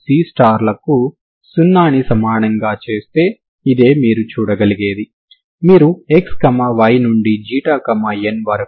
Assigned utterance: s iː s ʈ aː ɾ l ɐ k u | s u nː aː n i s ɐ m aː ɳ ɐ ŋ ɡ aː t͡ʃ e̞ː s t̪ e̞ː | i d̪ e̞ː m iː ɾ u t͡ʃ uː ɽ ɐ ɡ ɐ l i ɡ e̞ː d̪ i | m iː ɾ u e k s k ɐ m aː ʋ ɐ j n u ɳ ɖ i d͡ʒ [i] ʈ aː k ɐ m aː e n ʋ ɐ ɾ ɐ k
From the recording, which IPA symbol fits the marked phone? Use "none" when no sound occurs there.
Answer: iː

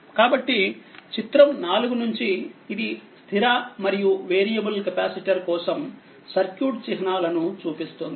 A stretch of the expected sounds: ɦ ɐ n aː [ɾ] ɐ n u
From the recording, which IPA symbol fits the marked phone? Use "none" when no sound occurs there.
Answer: l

